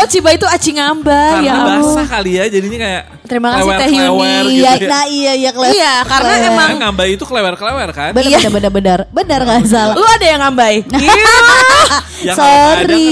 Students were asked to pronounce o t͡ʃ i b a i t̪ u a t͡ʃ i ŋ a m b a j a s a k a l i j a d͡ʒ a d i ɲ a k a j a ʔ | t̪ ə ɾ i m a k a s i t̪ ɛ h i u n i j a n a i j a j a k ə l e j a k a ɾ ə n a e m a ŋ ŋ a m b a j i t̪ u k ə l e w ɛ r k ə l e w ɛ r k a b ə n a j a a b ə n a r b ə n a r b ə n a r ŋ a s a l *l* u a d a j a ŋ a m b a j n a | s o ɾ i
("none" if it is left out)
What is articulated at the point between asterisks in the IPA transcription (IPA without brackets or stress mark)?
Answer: l